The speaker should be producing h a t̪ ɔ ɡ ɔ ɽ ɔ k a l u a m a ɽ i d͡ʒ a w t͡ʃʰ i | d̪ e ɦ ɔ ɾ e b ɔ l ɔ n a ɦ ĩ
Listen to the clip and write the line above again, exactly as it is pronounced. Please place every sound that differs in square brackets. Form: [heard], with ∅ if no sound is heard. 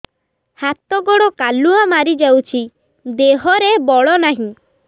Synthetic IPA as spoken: h a t̪ ɔ ɡ ɔ ɽ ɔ k a l u a m a [ɾ] i d͡ʒ a w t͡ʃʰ i | d̪ e ɦ ɔ ɾ e b ɔ [ɭ] ɔ n a ɦ ĩ